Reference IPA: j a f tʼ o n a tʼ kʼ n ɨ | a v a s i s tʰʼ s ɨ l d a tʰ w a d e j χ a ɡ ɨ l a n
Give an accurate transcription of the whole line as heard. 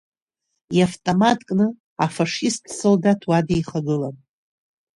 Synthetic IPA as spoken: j a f tʼ o m a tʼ kʼ n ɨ | a f a ʂ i s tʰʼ s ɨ l d a tʰ w a d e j χ a ɡ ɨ l a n